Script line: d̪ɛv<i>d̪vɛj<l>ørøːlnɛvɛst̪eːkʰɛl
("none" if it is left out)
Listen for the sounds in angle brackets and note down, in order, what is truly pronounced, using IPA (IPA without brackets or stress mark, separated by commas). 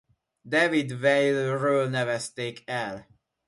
i, l